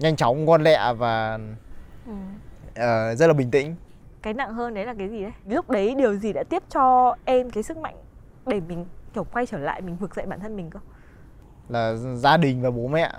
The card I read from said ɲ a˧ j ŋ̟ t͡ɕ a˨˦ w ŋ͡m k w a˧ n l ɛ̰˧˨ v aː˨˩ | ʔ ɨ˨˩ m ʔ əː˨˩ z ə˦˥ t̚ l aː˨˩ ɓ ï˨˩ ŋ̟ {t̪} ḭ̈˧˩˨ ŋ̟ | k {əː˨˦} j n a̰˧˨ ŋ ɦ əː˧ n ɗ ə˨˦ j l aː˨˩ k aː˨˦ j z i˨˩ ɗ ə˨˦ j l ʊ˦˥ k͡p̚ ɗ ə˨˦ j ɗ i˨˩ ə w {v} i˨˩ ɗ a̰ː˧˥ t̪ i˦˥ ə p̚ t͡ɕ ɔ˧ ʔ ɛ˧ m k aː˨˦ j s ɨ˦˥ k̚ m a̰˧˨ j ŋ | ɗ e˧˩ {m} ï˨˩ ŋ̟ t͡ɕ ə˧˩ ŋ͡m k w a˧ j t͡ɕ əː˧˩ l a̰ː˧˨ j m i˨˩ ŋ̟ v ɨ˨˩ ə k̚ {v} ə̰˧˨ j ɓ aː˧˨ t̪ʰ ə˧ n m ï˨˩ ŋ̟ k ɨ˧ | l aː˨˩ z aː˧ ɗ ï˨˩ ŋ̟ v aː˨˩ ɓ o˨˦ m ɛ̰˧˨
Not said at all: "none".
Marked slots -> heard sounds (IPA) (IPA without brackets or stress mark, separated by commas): t̪, aː˨˦, z, m, z